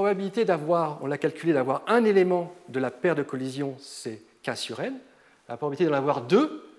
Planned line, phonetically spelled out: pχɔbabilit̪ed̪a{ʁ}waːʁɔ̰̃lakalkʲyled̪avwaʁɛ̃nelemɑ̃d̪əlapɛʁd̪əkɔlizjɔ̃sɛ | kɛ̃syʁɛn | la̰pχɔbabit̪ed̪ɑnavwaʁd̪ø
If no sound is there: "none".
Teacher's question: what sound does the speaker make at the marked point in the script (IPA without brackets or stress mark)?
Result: v